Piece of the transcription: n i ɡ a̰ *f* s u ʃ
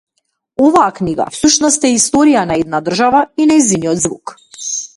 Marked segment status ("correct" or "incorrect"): correct